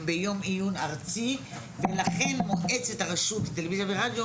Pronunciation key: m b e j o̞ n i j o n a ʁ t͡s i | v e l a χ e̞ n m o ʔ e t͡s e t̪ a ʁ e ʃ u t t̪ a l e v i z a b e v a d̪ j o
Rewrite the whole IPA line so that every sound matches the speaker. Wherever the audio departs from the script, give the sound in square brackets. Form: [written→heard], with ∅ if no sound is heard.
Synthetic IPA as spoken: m b e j o̞ [n→m] i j [o→u] n a ʁ t͡s i | v e l a χ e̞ n m o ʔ e t͡s e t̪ a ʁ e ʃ u t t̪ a l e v i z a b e [v→ʁ] a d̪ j o